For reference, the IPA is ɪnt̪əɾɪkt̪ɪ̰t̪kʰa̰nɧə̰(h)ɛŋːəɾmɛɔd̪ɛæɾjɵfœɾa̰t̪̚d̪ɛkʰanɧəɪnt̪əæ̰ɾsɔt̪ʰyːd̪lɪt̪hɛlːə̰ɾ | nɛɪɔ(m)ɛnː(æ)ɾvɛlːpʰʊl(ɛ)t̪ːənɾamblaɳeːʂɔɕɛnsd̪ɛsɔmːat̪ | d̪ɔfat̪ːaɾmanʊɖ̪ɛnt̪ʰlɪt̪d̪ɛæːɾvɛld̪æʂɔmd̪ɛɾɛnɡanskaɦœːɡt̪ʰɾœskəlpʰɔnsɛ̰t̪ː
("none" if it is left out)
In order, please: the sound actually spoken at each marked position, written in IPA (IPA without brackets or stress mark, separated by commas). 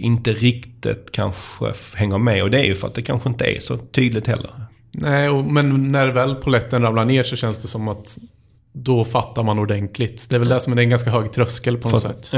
h, m, æ, ɛ